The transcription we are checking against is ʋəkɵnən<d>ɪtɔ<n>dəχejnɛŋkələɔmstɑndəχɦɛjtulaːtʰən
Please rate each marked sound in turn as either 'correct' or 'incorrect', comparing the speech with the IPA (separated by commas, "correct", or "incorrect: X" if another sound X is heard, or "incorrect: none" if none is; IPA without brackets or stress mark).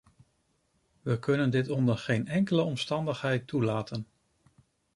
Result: correct, correct